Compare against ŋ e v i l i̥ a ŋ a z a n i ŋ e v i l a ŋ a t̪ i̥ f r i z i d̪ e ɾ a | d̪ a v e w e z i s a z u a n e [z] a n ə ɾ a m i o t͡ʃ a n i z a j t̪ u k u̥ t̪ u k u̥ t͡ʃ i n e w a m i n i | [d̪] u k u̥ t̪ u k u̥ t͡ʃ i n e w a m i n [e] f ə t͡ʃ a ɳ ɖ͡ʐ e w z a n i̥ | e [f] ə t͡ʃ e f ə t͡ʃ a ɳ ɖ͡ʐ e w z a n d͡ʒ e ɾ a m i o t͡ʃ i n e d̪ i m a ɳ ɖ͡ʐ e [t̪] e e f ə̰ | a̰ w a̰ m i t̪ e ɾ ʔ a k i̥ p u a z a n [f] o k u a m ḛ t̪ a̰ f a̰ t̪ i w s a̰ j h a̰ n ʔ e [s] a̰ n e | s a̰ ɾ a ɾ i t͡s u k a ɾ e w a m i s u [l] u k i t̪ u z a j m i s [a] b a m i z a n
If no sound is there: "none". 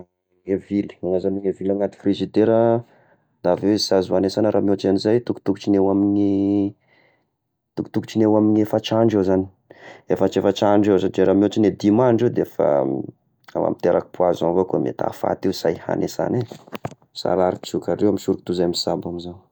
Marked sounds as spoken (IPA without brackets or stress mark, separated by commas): s, t̪, e, f, d̪, v, s, ɾ, a